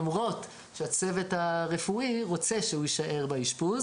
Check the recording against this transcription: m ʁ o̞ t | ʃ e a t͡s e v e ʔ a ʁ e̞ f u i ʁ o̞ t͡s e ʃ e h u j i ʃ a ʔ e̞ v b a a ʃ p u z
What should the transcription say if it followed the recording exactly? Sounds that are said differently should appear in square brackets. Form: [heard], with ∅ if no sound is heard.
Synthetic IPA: m ʁ o̞ t | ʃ e a t͡s e v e [t] a ʁ e̞ f u i ʁ o̞ t͡s e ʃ e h u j i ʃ a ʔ e̞ [ʁ] b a [i] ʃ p u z